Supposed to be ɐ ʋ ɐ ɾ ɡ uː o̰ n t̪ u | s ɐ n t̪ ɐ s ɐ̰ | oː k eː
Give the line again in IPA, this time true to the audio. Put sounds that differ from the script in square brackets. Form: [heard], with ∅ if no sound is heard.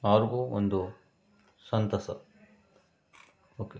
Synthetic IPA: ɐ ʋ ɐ ɾ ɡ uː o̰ n [d̪] u | s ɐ n t̪ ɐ s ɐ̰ | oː k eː

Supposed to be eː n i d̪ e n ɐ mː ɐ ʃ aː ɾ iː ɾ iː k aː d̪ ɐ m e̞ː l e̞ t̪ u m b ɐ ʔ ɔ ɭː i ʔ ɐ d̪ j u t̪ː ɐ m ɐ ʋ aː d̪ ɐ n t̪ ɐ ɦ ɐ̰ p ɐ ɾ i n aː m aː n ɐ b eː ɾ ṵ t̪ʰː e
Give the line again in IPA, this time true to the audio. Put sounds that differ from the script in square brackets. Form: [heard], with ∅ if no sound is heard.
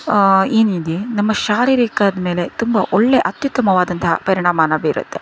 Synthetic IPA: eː n i d̪ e n ɐ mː ɐ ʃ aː ɾ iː ɾ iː k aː d̪ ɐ m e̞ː l e̞ t̪ u m b ɐ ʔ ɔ ɭː [e] ʔ ɐ [t̪] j u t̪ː ɐ m ɐ ʋ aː d̪ ɐ n t̪ ɐ ɦ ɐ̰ p ɐ ɾ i [ɳ] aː m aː n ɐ b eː ɾ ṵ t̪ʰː e

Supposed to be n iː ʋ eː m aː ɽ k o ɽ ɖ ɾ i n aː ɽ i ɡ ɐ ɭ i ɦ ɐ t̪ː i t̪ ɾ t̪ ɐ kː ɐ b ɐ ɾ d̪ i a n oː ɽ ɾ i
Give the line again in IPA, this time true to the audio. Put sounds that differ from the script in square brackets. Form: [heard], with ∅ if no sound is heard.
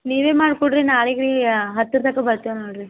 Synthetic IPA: n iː ʋ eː m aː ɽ k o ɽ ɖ ɾ i n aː [ɭ] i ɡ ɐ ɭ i ɦ ɐ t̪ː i [∅] ɾ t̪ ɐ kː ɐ b ɐ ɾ [t̪] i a n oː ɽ ɾ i

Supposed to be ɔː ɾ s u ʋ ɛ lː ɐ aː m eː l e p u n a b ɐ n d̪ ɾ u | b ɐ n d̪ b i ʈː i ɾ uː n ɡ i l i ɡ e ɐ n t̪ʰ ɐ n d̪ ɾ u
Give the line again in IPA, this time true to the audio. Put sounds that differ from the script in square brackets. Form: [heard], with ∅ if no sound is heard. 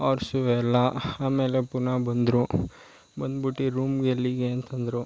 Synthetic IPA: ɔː ɾ s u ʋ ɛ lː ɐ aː m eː l e p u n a b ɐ n d̪ ɾ u | b ɐ n d̪ b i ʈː i ɾ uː [m] ɡ [e] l i ɡ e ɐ n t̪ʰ ɐ n d̪ ɾ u

